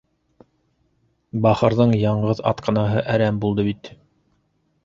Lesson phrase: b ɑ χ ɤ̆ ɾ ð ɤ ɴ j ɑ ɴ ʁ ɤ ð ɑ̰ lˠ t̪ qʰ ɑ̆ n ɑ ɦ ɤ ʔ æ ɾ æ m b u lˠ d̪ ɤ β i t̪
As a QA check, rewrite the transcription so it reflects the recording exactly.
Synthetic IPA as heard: b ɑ χ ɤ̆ ɾ ð ɤ ɴ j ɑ ɴ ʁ ɤ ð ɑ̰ t̪ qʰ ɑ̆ n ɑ ɦ ɤ ʔ æ ɾ æ m b u lˠ d̪ ɤ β i t̪